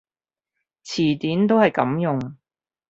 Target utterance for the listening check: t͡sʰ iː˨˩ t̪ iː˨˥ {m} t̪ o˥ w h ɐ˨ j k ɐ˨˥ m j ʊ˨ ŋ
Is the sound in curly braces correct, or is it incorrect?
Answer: incorrect